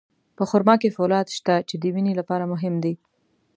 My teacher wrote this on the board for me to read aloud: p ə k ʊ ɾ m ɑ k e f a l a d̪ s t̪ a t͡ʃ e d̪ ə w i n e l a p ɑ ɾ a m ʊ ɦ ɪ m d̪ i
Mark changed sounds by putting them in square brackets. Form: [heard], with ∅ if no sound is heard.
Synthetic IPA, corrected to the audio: p ə [x] ʊ ɾ m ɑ k e f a l [ɑ] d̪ [ʃ] t̪ a t͡ʃ e d̪ ə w i n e l a p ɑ ɾ a m ʊ ɦ ɪ m d̪ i